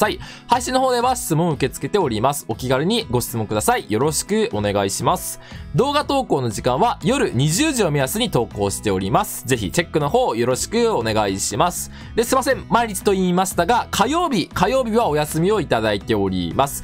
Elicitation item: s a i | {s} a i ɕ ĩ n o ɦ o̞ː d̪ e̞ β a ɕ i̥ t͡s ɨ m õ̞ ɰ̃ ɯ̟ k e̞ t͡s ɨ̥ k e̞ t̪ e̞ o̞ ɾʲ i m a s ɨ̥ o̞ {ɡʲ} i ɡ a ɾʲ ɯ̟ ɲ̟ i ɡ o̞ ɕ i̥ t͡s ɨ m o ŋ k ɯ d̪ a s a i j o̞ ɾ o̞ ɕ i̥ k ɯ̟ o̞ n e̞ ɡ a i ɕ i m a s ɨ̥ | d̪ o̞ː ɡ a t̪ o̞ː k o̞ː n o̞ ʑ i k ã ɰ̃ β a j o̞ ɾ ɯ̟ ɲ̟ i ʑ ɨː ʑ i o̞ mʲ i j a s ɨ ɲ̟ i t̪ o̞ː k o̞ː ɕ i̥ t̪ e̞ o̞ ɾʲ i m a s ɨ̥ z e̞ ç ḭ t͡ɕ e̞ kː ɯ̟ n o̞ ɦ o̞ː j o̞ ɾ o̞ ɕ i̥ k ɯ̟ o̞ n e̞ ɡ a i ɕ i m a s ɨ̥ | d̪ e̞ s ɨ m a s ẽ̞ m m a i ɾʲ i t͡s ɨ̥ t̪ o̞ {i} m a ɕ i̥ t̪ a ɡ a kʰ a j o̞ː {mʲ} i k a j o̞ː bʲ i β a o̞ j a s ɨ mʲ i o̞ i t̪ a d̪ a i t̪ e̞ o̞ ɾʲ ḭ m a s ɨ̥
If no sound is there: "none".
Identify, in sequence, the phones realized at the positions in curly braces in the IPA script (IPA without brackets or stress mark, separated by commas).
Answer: h, kʲ, iː, bʲ